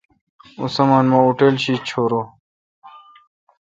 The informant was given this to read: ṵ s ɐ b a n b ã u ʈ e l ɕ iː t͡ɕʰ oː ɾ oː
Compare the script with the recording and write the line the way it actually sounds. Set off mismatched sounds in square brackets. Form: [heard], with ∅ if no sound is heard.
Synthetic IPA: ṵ s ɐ [m] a n [m] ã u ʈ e l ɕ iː t͡ɕʰ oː ɾ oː